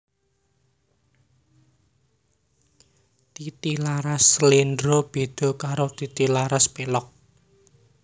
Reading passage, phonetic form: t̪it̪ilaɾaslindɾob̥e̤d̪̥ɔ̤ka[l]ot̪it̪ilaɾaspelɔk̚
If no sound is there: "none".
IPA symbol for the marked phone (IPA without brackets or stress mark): ɾ